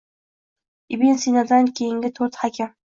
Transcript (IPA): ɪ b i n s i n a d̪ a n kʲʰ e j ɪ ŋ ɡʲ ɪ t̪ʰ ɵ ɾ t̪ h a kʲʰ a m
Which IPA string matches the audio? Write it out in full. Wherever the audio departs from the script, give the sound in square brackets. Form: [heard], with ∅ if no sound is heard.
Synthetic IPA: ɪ b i n s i n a d̪ a n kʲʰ e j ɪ ŋ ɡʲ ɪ t̪ʰ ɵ ɾ t̪ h a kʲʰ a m